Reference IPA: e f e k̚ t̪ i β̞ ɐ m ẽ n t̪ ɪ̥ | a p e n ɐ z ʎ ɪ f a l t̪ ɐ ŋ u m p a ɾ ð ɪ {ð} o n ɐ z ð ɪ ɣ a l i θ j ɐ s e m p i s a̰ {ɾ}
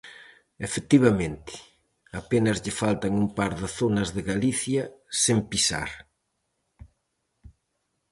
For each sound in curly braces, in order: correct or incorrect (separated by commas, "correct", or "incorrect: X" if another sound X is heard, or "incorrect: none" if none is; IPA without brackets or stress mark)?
incorrect: θ, correct